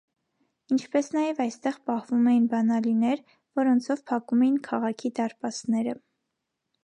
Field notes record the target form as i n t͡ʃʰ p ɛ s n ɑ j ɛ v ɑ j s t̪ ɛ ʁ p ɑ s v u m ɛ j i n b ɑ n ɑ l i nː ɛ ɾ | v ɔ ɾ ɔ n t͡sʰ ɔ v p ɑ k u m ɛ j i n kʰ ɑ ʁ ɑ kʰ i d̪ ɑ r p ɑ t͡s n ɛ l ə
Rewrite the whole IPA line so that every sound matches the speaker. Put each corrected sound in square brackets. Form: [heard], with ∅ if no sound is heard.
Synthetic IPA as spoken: i n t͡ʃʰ p ɛ s n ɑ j ɛ v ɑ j s t̪ ɛ ʁ p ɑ [h] v u m ɛ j i n b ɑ n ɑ l i [n] ɛ ɾ | v ɔ ɾ ɔ n t͡sʰ ɔ v [pʰ] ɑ k u m ɛ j i n kʰ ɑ ʁ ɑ kʰ i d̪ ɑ [ɾ] p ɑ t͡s n ɛ [ɾ] ə